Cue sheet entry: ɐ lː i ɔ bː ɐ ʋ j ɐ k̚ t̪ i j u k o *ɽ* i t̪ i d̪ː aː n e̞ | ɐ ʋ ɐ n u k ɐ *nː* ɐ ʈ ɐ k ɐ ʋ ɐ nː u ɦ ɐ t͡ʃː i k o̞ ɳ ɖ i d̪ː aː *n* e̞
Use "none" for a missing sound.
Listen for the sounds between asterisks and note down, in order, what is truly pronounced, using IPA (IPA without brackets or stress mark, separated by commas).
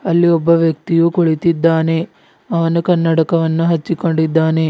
ɭ, nː, n